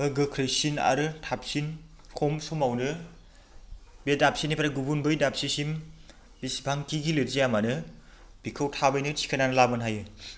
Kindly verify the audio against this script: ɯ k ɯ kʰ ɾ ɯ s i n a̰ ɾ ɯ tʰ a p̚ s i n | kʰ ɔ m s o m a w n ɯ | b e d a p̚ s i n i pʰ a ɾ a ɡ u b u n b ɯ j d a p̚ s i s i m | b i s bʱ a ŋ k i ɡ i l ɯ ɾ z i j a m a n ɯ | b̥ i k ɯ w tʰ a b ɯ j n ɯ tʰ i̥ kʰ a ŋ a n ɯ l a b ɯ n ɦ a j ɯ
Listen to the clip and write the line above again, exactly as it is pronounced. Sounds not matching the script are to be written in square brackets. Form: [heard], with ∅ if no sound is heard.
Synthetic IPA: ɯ [ɡ] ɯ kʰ ɾ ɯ s i n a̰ ɾ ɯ tʰ a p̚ s i n | kʰ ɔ m s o m a w n ɯ | b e d a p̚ s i n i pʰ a ɾ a ɡ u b u n b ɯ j d a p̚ s i s i m | b i s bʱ a ŋ k i ɡ i l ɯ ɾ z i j a m a n ɯ | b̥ i [kʰ] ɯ w tʰ a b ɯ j n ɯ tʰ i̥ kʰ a [n] a n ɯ l a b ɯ n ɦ a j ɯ